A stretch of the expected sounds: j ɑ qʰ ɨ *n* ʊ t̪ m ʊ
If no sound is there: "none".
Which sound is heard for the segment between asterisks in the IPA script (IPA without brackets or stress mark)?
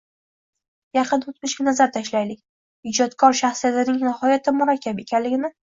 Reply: n